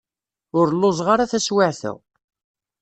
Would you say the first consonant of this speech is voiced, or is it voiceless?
voiced